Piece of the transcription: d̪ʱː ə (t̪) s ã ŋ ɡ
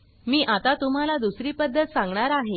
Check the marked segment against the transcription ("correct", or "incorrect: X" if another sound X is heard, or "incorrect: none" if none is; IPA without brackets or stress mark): correct